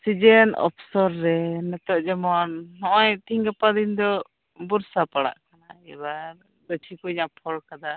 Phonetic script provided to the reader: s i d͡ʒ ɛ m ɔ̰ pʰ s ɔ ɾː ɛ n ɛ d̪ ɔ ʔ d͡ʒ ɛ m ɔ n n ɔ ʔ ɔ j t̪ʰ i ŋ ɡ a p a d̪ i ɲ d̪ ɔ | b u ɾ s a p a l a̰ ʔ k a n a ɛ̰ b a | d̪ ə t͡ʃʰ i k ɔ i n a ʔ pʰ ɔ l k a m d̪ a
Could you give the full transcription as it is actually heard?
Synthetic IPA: s i d͡ʒ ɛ n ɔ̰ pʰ s ɔ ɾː ɛ n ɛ t̪ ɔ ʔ d͡ʒ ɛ m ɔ n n ɔ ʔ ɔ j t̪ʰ i ŋ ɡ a p a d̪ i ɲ d̪ ɔ | b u ɾ s a p a ɽ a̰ ʔ k a n a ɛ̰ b a | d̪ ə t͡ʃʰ i k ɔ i ɲ a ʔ pʰ ɔ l k a d̪ a